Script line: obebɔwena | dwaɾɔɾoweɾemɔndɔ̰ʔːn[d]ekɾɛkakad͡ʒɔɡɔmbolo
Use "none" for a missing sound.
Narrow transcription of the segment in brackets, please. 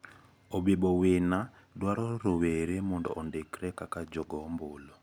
d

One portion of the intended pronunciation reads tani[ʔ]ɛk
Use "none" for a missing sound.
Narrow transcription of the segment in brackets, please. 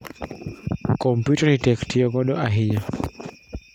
t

